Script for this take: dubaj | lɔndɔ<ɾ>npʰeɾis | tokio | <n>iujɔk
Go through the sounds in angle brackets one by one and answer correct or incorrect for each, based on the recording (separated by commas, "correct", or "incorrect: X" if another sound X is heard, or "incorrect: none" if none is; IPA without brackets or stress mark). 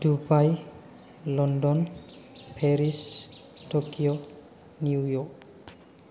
incorrect: none, correct